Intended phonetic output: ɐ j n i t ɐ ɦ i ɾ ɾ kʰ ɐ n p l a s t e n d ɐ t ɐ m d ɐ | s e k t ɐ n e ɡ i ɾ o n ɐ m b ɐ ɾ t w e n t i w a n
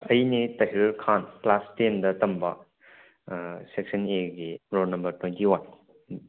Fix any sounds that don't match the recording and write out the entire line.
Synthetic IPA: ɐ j n i t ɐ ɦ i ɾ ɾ kʰ a n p l a s t e n d ɐ t ɐ m b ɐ | s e k s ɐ n e ɡ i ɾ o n ɐ m b ɐ ɾ t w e n t i w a n